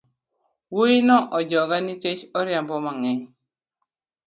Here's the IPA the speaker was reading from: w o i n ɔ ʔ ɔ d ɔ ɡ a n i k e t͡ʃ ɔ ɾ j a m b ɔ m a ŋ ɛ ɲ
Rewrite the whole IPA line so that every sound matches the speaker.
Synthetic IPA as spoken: w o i n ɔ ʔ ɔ d͡ʒ ɔ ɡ a n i k e t͡ʃ ɔ ɾ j a m b ɔ m a ŋ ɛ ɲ